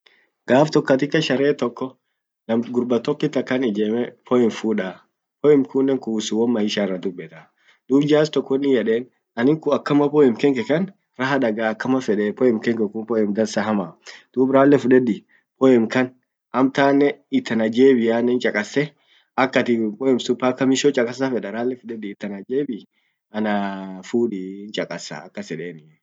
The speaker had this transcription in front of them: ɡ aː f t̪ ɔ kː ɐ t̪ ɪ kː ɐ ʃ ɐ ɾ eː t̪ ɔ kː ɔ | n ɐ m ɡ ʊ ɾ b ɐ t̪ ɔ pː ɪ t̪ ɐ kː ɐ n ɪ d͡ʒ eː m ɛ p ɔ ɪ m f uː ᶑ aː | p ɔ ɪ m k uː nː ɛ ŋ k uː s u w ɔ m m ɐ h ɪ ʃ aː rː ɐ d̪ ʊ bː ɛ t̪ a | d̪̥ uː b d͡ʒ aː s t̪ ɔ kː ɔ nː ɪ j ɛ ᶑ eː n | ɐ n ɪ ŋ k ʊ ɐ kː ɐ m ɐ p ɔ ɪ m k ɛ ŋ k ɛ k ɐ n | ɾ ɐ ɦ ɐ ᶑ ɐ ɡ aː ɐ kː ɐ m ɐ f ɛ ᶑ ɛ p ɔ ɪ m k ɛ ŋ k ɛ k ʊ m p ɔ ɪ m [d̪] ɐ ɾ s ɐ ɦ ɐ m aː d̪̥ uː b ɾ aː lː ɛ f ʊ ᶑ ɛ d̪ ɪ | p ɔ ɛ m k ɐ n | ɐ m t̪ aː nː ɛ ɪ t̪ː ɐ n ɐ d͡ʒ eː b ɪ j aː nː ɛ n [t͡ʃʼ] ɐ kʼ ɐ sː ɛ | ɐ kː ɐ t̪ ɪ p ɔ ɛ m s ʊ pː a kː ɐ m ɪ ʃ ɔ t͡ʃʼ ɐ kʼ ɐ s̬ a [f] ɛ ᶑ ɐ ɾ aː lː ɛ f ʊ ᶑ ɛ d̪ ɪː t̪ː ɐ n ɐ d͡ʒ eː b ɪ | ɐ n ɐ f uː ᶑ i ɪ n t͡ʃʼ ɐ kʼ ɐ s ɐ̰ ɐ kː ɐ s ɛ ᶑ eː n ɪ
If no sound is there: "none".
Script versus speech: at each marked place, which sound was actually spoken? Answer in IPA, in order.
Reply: d̪, t͡ʃʼ, f

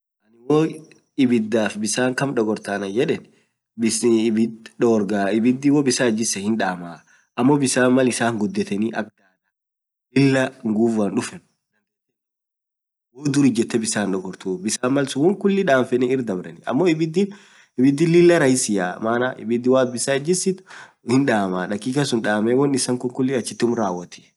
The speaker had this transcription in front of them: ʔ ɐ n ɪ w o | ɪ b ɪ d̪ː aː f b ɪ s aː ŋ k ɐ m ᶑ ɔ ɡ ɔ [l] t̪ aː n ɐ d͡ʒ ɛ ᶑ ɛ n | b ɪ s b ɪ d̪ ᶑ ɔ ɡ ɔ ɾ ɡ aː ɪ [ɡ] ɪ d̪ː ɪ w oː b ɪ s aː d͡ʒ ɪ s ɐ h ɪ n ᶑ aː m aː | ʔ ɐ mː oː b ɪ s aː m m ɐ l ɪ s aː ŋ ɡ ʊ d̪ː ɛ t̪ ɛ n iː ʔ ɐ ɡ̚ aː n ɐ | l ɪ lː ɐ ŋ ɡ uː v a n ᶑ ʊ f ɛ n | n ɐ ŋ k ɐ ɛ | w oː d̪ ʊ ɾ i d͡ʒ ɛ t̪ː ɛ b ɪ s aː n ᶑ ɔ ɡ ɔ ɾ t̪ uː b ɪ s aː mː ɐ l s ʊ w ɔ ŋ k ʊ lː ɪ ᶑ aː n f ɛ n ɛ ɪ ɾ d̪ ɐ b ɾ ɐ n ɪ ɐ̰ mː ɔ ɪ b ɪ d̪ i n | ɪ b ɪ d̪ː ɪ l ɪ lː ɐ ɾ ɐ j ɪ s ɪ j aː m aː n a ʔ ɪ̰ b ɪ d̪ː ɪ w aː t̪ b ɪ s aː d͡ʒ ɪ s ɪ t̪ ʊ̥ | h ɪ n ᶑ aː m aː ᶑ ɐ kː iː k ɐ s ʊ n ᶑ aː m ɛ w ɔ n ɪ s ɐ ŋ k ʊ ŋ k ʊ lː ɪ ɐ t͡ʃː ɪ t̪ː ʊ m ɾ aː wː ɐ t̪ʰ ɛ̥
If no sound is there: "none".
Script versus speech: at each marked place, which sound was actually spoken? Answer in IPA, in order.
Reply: ɾ, b

